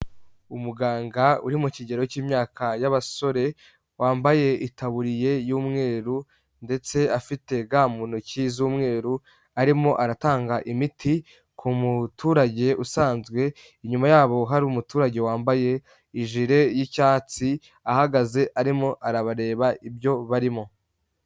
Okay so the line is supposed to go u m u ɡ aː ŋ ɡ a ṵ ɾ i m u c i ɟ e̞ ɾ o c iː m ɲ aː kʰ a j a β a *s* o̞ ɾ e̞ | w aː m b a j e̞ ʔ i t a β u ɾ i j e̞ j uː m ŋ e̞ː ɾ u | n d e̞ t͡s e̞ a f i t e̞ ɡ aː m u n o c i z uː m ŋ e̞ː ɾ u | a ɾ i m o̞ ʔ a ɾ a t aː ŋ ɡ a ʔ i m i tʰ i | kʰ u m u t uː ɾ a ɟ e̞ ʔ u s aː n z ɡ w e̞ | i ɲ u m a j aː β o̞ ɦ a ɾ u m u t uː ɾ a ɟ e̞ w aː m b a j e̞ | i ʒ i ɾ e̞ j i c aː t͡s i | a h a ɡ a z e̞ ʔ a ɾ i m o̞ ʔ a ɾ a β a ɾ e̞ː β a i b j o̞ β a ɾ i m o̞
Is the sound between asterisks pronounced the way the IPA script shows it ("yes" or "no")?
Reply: yes